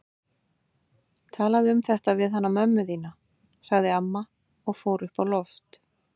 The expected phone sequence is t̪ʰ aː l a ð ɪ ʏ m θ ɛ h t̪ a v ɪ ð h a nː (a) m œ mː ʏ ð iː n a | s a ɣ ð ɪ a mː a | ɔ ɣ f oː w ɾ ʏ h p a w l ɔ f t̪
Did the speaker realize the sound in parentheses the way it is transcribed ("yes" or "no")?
yes